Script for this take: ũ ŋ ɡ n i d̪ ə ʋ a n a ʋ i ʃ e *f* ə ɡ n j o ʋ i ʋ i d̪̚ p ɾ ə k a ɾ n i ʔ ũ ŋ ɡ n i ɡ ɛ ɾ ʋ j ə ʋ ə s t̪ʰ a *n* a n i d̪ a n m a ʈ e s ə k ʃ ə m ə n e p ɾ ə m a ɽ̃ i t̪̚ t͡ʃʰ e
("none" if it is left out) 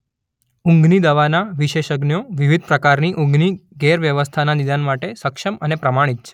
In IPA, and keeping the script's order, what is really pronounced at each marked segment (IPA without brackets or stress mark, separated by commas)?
ʃ, n